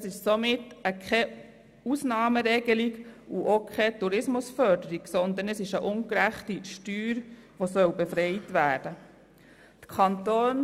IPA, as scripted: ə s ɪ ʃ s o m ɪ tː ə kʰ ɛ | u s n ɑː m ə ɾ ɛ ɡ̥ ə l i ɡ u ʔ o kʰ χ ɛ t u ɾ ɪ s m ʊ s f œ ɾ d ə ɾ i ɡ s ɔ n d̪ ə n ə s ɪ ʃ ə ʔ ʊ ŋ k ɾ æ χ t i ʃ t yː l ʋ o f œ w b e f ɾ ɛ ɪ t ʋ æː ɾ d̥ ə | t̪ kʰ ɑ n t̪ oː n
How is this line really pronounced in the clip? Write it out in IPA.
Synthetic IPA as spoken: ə s ɪ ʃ s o m ɪ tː ə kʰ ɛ | u s n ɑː m ə ɾ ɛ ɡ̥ ə l i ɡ u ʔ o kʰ χ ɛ t u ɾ ɪ s m ʊ s f œ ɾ d ə ɾ i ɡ s ɔ n d̪ ə n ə s ɪ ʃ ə ʔ ʊ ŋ k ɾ æ χ t i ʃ t yː ɾ ʋ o s œ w b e f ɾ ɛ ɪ t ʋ æː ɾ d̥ ə | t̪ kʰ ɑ n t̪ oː n